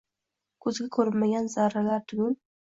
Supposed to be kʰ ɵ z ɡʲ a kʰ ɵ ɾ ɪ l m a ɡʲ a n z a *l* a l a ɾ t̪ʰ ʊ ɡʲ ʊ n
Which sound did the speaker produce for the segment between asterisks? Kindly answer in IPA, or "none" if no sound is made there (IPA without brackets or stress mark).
ɾ